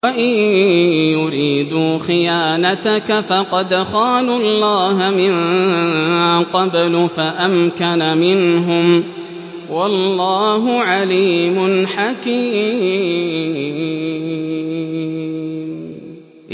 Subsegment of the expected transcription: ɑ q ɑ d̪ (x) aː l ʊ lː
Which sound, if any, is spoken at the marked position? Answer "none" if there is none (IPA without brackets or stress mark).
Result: x